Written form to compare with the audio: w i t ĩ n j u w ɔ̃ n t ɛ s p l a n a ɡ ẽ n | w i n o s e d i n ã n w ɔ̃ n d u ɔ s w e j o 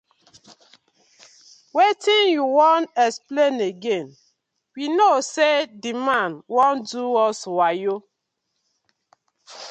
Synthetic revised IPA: w e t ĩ n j u w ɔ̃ n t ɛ s p l e n e ɡ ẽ n | w i n o s e d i m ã n w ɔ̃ n d u ɔ s w a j o